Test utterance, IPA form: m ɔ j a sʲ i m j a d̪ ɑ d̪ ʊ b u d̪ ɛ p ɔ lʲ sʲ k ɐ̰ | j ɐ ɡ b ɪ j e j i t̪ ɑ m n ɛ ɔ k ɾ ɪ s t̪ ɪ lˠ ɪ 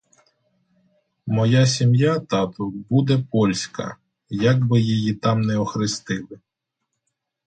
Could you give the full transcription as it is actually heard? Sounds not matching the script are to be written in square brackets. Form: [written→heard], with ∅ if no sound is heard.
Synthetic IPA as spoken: m ɔ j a sʲ i m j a [d̪→t̪] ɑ [d̪→t̪] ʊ b u d̪ ɛ p ɔ lʲ sʲ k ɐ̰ | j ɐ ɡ b ɪ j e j i t̪ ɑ m n ɛ ɔ [k→x] ɾ ɪ s t̪ ɪ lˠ ɪ